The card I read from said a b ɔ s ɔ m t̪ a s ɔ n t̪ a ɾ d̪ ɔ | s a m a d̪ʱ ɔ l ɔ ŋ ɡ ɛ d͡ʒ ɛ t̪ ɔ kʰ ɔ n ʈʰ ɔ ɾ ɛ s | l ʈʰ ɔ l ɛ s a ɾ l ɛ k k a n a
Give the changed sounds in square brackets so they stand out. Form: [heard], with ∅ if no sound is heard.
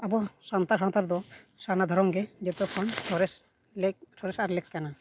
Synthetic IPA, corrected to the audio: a b ɔ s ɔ [n] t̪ a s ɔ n t̪ a ɾ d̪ ɔ | s a [n] a d̪ʱ ɔ [ɾ] ɔ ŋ ɡ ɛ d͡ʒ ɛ t̪ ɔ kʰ ɔ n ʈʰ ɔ ɾ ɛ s | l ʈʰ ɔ [ɾ] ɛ s a ɾ l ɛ k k a n a